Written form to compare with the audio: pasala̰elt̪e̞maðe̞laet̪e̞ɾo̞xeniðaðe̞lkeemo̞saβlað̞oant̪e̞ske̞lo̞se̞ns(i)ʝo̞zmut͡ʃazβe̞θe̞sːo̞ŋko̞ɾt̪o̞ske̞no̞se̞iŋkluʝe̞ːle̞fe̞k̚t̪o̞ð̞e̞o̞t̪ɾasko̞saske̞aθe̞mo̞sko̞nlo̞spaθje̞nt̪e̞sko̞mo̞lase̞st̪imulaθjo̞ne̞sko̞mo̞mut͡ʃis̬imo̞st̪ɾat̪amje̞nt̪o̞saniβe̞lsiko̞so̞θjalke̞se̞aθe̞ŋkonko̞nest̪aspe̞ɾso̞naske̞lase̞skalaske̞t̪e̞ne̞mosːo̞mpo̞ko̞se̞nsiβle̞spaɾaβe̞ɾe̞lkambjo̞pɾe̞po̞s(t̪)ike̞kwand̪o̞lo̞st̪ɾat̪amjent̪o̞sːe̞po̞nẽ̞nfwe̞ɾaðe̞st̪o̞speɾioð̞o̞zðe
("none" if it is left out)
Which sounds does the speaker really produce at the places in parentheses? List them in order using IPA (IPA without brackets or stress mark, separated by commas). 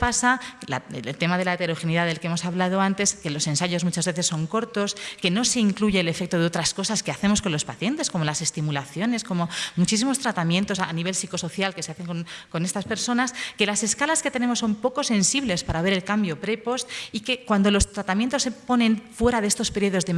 a, t̪